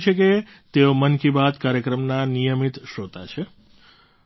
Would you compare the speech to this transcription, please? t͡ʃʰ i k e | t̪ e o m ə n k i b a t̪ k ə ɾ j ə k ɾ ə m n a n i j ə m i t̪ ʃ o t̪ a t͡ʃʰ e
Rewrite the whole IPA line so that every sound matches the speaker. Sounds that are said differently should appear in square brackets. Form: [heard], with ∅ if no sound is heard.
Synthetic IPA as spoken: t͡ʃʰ [e] k e | t̪ e o m ə n k i b a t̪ k [a] ɾ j ə k ɾ ə m n a n i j ə m i t̪ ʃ o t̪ a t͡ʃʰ e